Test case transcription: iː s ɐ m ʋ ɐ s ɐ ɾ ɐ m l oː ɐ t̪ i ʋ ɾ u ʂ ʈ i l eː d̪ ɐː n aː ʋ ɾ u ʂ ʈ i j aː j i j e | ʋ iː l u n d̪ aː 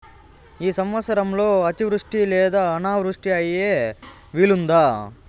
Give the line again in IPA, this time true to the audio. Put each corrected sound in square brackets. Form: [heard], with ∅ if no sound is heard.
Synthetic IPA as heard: iː s ɐ m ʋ ɐ s ɐ ɾ ɐ m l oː ɐ t̪ i ʋ ɾ u ʂ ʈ i l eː d̪ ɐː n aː ʋ ɾ u ʂ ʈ i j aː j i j e | ʋ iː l u n d̪ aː